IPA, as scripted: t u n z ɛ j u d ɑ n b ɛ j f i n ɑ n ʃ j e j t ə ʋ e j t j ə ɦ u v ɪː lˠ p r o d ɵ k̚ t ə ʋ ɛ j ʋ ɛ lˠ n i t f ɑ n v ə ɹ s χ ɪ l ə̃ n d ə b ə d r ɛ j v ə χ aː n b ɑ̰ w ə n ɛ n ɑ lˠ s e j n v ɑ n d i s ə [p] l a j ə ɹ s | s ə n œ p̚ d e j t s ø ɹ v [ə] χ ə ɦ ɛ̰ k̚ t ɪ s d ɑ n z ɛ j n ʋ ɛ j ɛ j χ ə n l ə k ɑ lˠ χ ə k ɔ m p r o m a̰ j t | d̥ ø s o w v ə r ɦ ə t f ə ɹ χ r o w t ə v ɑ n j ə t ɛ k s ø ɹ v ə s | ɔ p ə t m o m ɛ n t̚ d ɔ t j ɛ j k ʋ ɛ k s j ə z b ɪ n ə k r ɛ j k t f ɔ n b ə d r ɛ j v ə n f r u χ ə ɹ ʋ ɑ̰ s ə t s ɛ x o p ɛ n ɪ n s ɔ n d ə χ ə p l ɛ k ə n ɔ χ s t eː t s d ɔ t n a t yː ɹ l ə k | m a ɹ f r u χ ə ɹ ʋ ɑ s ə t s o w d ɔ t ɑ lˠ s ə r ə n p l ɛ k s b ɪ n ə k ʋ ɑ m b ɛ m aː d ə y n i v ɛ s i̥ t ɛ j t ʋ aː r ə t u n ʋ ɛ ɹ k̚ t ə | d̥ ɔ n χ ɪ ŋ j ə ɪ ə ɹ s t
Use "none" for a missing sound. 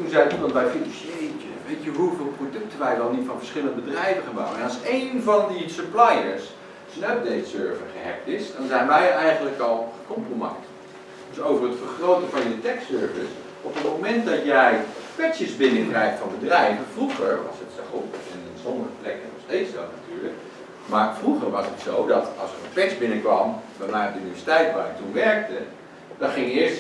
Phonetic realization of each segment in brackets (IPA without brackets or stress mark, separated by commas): p, ə